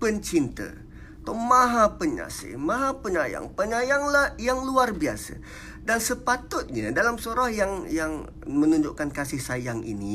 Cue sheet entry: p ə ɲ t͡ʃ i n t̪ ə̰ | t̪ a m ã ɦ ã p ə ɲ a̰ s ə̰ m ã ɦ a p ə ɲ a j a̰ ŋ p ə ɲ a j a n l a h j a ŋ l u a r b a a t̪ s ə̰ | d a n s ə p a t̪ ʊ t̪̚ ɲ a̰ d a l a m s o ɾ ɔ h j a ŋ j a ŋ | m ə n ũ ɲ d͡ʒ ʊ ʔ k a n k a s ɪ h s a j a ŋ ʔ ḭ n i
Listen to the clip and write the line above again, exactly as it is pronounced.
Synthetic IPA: p ə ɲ t͡ʃ i n t̪ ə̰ | t̪ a m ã ɦ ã p ə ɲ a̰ s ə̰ m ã ɦ a p ə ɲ a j a̰ ŋ p ə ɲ a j a ŋ l a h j a ŋ l u a r b i a s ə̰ | d a n s ə p a t̪ ʊ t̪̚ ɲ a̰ d a l a m s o ɾ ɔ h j a ŋ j a ŋ | m ə n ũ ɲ d͡ʒ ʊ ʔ k a n k a s ɪ h s a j a ŋ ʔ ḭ n i